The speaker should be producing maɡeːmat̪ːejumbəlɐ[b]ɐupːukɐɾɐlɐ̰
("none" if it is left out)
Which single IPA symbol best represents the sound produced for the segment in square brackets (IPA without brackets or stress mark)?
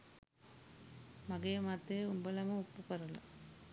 m